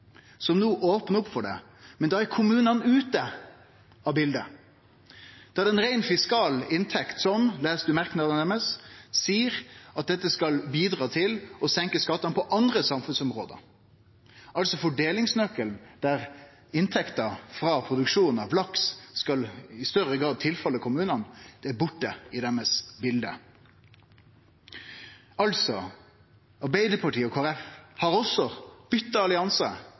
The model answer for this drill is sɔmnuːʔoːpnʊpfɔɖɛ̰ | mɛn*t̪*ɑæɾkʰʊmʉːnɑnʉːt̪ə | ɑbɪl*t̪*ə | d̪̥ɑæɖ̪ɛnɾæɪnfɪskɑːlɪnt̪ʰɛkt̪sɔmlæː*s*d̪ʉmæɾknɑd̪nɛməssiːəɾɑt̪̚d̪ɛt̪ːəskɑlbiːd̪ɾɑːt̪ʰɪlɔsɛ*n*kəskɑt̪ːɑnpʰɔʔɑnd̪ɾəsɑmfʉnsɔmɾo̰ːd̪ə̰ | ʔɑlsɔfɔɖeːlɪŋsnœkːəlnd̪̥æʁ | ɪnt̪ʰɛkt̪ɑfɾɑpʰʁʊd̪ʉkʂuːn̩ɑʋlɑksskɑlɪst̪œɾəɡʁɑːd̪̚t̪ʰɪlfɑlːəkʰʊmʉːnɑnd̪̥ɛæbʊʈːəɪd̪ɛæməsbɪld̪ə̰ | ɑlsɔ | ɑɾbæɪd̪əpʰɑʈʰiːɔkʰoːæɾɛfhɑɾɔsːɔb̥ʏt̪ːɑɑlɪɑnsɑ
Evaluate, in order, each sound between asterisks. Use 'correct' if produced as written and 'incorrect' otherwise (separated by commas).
incorrect, incorrect, correct, incorrect